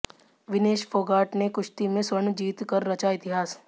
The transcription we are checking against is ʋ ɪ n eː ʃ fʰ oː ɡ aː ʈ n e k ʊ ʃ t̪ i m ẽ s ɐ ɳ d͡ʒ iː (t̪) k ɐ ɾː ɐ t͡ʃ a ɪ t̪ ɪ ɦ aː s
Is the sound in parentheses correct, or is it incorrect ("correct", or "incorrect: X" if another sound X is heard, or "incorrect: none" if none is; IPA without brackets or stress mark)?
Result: correct